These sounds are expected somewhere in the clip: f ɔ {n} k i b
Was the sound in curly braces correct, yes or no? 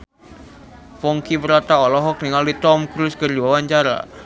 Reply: no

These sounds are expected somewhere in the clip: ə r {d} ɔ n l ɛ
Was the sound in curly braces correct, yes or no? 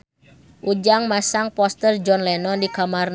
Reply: no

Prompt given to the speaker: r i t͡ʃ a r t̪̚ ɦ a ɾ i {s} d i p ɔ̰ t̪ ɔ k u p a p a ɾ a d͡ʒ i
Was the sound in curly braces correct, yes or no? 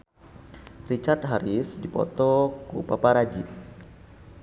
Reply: yes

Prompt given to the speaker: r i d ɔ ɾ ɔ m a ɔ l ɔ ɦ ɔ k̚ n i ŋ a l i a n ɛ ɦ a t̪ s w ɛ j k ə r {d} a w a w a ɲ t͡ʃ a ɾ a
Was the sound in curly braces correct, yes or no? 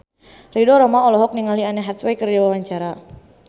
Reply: no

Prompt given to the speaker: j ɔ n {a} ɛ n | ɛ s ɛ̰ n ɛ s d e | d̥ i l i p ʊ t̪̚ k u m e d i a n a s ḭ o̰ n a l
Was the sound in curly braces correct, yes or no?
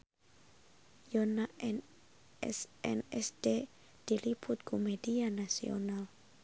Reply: yes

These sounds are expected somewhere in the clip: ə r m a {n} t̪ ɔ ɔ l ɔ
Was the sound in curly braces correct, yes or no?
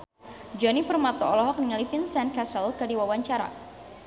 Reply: no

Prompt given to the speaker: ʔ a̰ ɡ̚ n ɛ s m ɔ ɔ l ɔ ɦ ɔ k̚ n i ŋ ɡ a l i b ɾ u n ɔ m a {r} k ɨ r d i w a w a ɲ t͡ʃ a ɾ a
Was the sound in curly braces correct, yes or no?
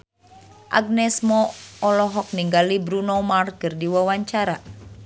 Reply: yes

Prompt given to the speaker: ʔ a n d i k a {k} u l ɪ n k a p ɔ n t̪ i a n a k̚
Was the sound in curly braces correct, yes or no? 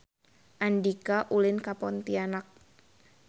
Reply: no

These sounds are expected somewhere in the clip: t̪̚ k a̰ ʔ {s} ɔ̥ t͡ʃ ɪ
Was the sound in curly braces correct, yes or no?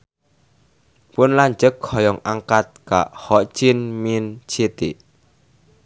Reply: no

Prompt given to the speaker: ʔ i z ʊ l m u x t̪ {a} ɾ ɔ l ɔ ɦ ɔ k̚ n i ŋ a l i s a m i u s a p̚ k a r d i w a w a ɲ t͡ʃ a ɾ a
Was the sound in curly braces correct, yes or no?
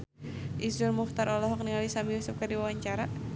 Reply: yes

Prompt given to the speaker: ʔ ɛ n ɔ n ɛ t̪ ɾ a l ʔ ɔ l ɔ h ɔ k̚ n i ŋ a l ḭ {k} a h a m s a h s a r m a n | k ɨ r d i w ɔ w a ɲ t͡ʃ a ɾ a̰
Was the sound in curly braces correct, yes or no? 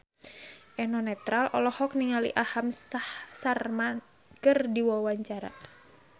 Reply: no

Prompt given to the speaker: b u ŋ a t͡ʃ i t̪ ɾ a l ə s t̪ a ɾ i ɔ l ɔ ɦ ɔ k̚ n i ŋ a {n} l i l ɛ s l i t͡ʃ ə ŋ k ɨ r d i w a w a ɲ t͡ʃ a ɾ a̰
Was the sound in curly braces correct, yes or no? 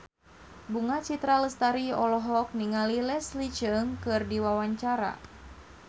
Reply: no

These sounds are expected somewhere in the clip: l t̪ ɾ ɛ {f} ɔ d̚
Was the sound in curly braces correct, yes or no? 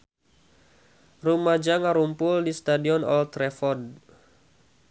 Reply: yes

